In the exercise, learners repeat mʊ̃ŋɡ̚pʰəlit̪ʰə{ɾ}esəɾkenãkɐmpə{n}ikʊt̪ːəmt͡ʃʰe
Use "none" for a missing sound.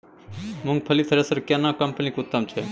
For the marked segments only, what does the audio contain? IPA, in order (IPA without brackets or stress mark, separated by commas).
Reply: ɾ, n